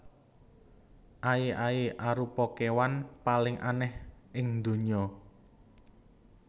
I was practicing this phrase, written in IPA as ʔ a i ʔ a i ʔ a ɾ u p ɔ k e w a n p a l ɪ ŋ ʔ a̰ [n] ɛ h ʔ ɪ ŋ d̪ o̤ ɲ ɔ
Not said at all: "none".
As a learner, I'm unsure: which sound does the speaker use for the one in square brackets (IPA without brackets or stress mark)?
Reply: n